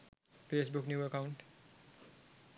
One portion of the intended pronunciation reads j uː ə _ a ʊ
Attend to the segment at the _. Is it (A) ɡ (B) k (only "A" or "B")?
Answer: B